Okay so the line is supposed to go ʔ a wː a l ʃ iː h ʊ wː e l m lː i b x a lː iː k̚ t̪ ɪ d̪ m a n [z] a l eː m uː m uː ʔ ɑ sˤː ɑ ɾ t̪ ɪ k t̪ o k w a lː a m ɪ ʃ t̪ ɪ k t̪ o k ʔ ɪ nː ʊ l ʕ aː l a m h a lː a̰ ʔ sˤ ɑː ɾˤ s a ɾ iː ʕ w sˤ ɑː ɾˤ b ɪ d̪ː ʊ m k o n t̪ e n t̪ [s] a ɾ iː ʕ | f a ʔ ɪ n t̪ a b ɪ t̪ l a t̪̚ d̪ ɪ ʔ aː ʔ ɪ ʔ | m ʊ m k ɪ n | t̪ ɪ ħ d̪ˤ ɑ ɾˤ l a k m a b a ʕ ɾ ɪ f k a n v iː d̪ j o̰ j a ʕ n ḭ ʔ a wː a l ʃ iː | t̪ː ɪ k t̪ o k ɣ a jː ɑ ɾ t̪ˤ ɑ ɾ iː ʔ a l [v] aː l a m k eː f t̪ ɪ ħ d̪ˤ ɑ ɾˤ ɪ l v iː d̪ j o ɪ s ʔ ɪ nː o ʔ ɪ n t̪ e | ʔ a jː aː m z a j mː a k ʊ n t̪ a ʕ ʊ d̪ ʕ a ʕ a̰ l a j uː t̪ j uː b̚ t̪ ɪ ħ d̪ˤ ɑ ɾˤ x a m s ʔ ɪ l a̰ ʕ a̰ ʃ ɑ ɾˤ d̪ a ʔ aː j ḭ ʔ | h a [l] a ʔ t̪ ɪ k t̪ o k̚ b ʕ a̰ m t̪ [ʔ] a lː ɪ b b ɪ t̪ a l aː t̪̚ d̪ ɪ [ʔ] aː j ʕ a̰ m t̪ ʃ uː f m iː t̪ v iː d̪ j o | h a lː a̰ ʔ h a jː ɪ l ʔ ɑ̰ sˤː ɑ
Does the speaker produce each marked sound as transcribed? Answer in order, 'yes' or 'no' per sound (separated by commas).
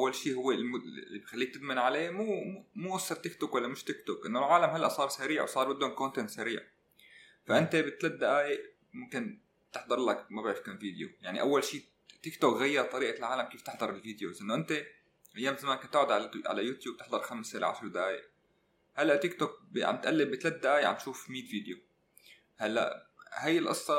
no, yes, no, no, yes, yes